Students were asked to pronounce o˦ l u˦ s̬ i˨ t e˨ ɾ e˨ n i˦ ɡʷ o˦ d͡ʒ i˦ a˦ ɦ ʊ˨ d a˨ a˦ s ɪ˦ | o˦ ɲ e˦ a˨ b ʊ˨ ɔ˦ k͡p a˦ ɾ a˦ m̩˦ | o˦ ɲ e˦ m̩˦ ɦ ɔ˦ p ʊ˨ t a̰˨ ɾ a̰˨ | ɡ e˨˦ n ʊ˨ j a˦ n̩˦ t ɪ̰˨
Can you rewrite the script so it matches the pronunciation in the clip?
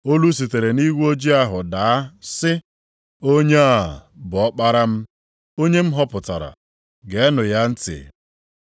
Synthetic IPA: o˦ l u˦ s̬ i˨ t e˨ ɾ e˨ n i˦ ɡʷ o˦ d͡ʒ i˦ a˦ ɦ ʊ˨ d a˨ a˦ s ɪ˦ | o˦ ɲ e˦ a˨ b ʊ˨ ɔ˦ k͡p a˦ ɾ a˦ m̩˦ | o˦ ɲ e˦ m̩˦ ɦ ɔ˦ p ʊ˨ t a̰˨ ɾ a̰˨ | ɡ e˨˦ n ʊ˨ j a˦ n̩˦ t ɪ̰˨